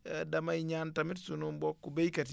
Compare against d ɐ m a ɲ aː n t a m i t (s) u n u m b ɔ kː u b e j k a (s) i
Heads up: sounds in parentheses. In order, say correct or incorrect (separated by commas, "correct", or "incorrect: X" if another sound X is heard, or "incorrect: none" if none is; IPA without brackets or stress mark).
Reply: correct, incorrect: t